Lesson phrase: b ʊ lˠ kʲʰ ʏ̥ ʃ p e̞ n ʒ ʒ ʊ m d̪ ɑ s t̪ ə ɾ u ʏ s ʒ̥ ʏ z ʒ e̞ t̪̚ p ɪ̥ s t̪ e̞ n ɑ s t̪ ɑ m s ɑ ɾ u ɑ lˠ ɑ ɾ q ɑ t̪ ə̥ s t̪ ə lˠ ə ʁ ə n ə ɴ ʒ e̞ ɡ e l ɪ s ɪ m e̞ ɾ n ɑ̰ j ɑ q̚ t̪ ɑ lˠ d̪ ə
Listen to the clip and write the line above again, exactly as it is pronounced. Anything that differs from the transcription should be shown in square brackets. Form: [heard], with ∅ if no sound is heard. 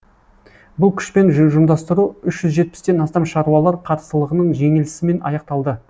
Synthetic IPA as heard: b ʊ lˠ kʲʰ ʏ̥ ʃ p e̞ n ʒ ʒ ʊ m d̪ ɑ s t̪ ə ɾ u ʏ [ʃ] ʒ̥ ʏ z ʒ e̞ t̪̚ p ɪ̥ s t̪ e̞ n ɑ s t̪ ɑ m [ʃ] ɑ ɾ u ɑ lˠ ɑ ɾ [qʰ] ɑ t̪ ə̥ s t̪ ə lˠ ə ʁ ə n ə ɴ ʒ e̞ [ŋ] e l ɪ s ɪ m e̞ [∅] n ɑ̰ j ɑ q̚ t̪ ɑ lˠ d̪ ə